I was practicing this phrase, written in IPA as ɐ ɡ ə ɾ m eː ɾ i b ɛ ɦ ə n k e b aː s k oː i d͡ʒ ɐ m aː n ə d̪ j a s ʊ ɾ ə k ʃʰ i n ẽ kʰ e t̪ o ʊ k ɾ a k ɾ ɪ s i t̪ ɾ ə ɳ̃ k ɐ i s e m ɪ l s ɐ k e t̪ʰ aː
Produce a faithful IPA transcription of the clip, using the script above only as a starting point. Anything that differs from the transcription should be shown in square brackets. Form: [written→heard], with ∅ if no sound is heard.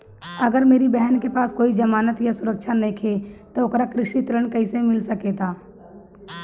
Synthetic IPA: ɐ ɡ ə ɾ m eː ɾ i b ɛ ɦ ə n k e [b→p] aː s k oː i d͡ʒ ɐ m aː n ə [d̪→t̪] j a s ʊ ɾ ə k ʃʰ [i→a] n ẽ kʰ e t̪ o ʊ k ɾ a k ɾ ɪ [s→ʃ] i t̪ ɾ ə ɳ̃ k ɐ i s e m ɪ l s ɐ k e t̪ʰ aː